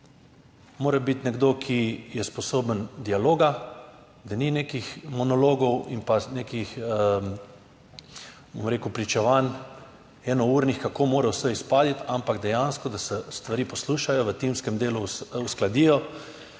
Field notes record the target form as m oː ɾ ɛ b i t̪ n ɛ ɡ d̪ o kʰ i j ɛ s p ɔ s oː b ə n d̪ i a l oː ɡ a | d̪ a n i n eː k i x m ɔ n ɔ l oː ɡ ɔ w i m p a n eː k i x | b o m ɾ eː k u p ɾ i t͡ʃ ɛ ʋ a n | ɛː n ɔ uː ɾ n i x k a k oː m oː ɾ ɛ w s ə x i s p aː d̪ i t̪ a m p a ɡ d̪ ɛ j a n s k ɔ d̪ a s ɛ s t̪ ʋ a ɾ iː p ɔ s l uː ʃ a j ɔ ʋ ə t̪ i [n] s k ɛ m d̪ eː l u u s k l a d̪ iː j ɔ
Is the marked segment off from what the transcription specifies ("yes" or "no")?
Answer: yes